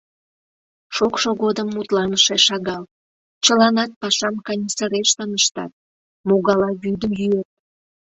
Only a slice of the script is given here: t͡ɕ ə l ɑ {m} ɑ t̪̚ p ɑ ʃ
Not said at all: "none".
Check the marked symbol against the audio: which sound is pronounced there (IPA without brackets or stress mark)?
n